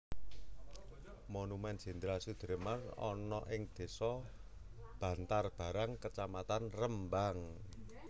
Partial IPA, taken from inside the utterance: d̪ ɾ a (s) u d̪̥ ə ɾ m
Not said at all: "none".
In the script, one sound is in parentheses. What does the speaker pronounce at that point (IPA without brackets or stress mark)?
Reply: s